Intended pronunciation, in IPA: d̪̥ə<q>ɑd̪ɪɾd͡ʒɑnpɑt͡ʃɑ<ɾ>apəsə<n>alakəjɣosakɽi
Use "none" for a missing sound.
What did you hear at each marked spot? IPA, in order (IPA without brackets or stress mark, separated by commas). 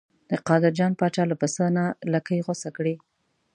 q, l, n